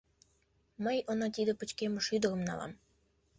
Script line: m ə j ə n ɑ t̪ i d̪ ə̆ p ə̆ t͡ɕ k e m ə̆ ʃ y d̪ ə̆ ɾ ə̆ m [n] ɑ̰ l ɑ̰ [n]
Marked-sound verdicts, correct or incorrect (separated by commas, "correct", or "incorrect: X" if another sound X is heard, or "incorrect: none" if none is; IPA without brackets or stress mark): correct, incorrect: m